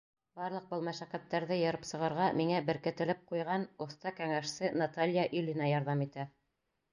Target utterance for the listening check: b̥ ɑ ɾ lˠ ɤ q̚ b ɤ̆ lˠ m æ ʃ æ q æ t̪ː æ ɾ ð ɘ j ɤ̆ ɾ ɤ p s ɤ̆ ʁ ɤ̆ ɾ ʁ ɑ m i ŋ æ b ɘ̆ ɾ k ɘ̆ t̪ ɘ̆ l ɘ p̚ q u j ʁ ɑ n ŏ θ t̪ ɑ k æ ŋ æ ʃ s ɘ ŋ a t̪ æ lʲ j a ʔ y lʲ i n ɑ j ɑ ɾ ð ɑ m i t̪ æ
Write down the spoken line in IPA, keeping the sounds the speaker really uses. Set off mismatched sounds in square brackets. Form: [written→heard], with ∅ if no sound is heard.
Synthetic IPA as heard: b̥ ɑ ɾ lˠ ɤ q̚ b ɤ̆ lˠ m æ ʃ æ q æ t̪ː æ ɾ ð ɘ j ɤ̆ ɾ ɤ p s ɤ̆ ʁ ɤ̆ ɾ ʁ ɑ m i ŋ æ b ɘ̆ ɾ k ɘ̆ t̪ ɘ̆ l ɘ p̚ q u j ʁ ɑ n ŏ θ t̪ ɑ k æ ŋ æ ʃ s ɘ [ŋ→n] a t̪ [æ→a] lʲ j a ʔ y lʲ i n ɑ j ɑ ɾ ð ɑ m i t̪ æ